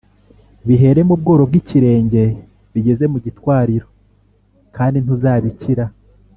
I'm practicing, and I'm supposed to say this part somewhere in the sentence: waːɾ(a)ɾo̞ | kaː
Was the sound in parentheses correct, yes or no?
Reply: no